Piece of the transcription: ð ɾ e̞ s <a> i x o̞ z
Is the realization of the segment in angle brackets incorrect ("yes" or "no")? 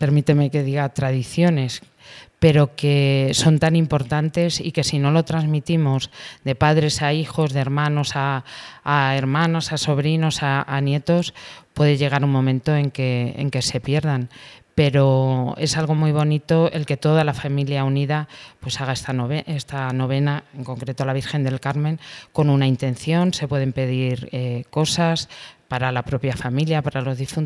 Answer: no